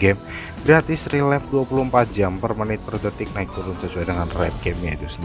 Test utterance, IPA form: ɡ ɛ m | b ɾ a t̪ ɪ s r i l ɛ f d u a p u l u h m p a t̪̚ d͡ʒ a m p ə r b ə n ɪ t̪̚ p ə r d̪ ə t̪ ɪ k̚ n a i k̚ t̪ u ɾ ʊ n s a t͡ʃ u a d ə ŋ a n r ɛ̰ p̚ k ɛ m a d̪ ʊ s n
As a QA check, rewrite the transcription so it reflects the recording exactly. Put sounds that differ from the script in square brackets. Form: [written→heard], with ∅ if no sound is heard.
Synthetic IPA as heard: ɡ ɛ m | b ɾ a t̪ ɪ s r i l ɛ f d u a p u l u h m p a t̪̚ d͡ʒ a m p ə r [b→m] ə n ɪ t̪̚ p ə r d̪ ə t̪ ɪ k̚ n a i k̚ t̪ u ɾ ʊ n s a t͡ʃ u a d ə ŋ a n r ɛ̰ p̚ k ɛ m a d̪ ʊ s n